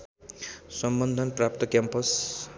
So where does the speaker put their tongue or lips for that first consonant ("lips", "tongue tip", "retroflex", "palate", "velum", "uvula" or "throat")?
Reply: tongue tip